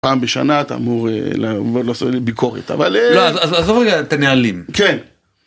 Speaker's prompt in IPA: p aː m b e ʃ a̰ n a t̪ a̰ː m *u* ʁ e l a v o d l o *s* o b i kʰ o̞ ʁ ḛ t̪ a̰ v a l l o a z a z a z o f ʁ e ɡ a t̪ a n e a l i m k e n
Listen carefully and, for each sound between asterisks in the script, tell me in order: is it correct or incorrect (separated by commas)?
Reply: correct, correct